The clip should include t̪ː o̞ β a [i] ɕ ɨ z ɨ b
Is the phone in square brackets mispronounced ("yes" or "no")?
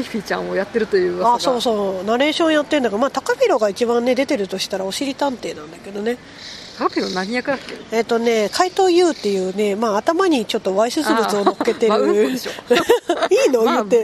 no